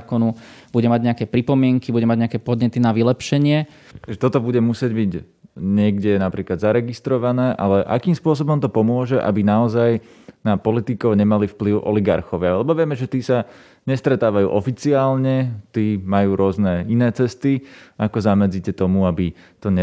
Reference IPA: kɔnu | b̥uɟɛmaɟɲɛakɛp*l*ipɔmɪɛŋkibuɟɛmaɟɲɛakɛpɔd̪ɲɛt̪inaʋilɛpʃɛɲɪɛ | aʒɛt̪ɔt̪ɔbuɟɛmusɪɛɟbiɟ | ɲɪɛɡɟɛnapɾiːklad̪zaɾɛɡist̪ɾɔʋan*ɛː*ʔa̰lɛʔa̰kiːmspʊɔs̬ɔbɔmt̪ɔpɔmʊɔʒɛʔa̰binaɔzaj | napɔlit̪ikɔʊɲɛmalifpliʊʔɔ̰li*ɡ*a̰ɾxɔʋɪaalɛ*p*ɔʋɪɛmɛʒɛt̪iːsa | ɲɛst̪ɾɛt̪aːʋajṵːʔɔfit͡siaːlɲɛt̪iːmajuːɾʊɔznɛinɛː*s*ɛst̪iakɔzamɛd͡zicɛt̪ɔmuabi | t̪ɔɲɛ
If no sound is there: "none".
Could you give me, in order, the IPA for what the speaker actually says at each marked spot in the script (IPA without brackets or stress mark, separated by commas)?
ɾ, ɛː, ɡ, b, t͡s